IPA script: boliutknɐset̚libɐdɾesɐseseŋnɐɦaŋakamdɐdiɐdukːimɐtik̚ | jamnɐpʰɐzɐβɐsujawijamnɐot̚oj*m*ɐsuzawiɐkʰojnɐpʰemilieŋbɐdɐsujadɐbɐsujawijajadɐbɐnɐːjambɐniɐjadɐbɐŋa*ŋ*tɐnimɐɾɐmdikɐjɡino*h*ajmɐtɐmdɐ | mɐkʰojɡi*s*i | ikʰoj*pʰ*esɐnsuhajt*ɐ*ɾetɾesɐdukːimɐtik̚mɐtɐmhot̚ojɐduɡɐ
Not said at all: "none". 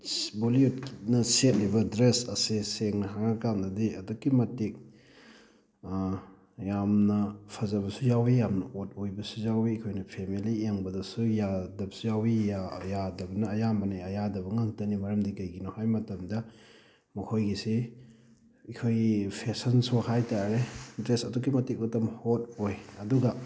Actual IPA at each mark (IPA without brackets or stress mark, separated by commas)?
b, ŋ, h, s, pʰ, a